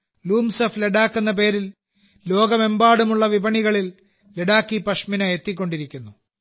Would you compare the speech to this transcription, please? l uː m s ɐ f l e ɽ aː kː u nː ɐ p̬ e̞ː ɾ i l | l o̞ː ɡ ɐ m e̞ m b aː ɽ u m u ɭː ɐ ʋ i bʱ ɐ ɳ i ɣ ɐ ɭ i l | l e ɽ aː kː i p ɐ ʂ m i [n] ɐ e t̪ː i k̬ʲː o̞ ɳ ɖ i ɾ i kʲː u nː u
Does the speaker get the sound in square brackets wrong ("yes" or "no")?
no